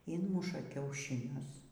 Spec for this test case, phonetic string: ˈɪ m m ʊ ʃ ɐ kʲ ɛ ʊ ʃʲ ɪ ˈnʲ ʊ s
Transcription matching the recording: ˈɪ n m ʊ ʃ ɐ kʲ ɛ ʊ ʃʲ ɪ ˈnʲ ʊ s